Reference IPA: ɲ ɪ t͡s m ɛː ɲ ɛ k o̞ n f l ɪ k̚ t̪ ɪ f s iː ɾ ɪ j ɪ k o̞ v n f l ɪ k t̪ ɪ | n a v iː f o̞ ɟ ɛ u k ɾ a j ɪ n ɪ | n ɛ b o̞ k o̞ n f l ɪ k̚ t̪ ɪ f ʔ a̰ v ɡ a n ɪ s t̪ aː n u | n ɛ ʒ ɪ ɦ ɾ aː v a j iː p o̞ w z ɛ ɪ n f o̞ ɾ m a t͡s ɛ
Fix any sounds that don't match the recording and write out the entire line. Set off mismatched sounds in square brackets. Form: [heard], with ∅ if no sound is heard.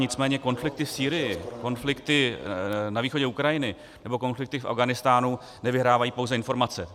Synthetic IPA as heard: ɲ ɪ t͡s m ɛː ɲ ɛ k o̞ n f l ɪ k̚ t̪ ɪ f s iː ɾ ɪ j ɪ k o̞ [∅] n f l ɪ k t̪ ɪ | n a v iː [x] o̞ ɟ ɛ u k ɾ a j ɪ n ɪ | n ɛ b o̞ k o̞ n f l ɪ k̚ t̪ ɪ f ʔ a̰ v ɡ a n ɪ s t̪ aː n u | n ɛ [v] ɪ ɦ ɾ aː v a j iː p o̞ w z ɛ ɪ n f o̞ ɾ m a t͡s ɛ